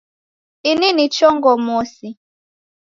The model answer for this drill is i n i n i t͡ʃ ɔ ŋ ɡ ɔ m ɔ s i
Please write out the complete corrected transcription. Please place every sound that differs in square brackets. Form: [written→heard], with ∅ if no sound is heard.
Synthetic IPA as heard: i n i n i t͡ʃ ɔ ŋ ɡ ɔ m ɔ s i